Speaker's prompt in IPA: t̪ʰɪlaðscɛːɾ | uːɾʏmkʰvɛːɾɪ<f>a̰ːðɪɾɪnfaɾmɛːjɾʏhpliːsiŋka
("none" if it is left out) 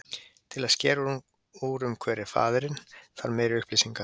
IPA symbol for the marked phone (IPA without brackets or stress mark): f